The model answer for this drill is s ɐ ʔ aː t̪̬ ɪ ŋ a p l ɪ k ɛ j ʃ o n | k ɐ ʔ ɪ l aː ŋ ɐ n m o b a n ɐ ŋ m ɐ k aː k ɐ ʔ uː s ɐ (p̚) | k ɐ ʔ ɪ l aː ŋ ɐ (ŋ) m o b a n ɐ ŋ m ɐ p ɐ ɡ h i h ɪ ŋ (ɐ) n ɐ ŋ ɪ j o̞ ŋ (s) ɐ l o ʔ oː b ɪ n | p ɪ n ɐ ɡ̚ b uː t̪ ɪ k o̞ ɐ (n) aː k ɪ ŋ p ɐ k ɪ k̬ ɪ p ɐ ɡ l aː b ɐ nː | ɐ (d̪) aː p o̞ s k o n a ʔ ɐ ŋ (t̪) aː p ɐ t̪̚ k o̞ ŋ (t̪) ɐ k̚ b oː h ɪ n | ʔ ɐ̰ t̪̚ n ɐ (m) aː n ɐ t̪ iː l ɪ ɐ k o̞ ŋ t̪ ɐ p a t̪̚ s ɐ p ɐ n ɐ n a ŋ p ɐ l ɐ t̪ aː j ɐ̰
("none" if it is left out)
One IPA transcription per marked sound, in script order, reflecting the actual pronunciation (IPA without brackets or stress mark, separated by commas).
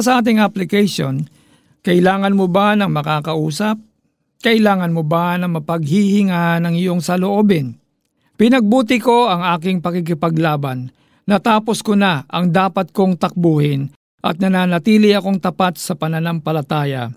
p̚, n, a, s, ŋ, t̪, d̪, t̪, n